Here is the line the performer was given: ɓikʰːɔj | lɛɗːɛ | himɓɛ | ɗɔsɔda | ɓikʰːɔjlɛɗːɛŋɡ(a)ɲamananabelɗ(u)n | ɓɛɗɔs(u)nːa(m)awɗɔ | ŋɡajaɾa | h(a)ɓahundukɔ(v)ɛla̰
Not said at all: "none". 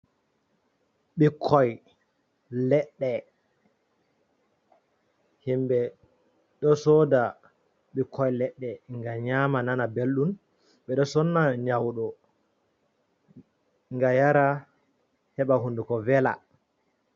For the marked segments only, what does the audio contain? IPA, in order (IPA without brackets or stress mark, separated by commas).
a, u, ɔ, ɲ, ɛ, v